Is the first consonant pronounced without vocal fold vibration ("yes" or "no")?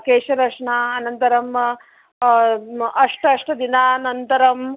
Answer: yes